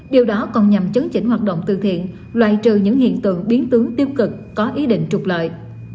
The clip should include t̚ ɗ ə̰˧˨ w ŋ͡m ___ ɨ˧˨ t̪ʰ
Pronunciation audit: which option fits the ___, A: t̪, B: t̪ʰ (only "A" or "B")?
A